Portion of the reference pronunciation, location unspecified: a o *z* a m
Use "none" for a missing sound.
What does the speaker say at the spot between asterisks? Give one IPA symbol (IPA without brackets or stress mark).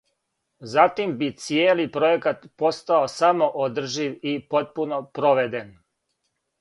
s